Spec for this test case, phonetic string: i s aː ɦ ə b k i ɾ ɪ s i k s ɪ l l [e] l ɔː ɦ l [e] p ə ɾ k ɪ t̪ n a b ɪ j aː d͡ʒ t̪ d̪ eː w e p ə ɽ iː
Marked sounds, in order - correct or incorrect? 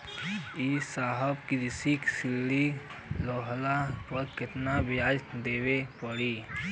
incorrect: i, incorrect: a

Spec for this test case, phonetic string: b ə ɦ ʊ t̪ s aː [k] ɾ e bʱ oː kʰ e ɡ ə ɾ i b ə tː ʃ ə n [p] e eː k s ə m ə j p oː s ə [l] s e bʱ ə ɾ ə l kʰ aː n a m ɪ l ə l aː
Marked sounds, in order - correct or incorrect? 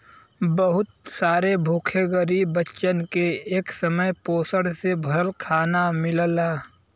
incorrect: none, incorrect: k, incorrect: ɽ

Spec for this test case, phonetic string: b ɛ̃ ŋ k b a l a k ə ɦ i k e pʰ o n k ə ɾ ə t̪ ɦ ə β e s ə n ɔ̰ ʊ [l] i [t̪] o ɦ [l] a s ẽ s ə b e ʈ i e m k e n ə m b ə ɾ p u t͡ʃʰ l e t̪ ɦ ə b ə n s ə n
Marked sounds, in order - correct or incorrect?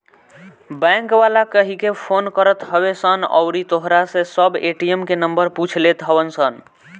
incorrect: ɾ, correct, incorrect: ɾ

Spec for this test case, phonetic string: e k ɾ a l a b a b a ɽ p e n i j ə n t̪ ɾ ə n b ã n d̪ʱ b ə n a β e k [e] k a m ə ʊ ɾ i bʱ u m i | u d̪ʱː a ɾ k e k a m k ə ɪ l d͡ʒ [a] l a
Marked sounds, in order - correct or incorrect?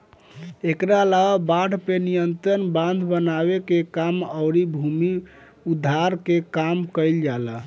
correct, correct

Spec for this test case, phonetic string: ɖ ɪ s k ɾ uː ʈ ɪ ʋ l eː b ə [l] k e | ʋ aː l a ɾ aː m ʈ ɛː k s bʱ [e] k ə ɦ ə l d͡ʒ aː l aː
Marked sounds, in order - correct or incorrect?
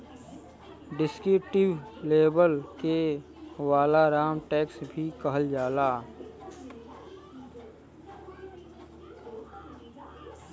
correct, incorrect: i

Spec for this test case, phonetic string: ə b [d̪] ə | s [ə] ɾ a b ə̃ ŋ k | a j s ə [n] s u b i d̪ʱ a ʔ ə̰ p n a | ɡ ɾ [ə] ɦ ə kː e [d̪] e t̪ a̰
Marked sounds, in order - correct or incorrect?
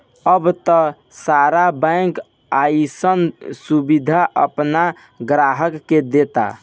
incorrect: t̪, incorrect: a, correct, incorrect: a, correct

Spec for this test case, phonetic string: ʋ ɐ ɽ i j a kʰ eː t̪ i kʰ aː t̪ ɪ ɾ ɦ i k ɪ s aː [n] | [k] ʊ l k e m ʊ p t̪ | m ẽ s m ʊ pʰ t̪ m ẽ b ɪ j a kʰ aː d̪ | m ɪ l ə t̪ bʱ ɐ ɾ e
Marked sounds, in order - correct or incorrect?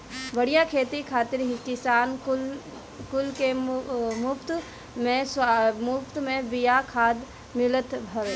correct, correct

